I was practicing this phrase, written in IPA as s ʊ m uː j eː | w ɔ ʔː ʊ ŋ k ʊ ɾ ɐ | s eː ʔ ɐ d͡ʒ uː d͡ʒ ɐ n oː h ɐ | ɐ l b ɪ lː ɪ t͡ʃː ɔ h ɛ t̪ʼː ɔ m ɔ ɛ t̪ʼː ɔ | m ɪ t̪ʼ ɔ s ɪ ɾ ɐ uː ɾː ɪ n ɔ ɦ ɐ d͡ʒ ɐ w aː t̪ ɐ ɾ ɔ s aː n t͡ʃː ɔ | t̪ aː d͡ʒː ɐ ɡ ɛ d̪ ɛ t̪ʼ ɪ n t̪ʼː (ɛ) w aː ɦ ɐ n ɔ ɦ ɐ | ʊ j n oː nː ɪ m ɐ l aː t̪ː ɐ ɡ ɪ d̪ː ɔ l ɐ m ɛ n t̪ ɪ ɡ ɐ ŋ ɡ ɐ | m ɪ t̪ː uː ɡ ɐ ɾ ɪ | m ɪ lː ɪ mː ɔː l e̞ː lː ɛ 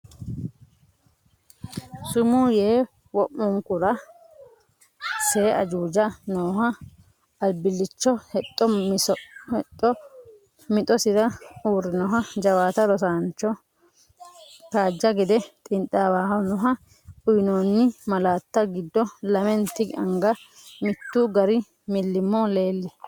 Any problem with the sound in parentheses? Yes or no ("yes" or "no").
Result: yes